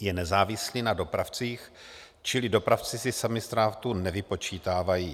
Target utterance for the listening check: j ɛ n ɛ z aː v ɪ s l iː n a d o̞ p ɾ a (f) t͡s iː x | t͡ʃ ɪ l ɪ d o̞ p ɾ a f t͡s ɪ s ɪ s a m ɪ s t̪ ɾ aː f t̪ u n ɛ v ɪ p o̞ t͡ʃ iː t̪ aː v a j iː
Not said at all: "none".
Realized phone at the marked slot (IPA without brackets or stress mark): f